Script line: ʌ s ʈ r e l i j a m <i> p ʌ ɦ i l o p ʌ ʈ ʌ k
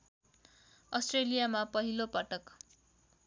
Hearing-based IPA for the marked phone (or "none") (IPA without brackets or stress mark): a